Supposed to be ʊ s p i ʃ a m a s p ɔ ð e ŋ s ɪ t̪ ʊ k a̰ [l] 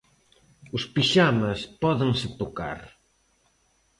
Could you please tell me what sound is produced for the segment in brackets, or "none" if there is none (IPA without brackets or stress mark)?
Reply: ɾ